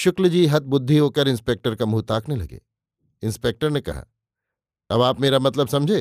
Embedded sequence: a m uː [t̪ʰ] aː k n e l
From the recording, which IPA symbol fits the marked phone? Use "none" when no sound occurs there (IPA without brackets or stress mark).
t̪